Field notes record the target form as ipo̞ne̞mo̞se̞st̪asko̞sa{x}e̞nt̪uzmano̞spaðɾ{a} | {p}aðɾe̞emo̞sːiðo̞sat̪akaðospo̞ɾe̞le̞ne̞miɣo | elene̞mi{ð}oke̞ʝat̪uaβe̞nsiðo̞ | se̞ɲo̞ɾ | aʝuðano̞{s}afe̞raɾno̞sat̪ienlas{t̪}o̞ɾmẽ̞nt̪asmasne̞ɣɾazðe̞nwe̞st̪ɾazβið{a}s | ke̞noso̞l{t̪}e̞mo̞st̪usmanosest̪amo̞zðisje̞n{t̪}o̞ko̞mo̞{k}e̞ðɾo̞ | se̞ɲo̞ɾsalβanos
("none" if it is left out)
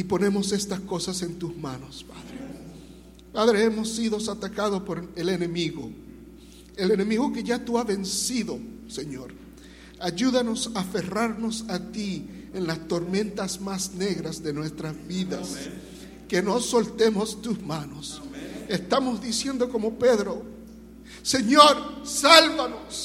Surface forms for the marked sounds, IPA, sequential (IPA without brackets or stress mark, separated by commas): s, e, p, ɣ, s, t̪, a, t̪, d̪, p